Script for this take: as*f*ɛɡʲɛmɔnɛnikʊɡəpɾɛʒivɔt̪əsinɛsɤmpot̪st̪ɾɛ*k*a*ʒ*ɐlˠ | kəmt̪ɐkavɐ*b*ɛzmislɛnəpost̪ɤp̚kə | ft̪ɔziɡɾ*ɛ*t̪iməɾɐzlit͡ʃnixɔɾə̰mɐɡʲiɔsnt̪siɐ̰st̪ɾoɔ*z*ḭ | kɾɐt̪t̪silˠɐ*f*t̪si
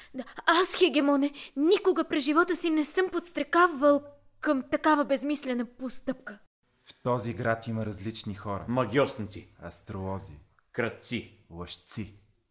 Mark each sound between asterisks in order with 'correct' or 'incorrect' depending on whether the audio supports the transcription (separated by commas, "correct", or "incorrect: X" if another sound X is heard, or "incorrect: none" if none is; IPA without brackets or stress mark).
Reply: incorrect: x, correct, incorrect: v, correct, incorrect: a, correct, incorrect: ʃ